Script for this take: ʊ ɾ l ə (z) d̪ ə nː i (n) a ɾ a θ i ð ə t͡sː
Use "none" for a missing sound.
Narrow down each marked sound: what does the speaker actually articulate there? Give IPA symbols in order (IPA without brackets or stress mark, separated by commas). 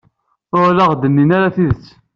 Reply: ʁ, n